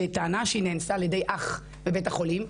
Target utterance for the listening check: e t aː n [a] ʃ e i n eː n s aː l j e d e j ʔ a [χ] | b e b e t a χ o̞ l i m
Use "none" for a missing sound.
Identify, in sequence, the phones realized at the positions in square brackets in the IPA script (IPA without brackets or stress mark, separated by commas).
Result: a, χ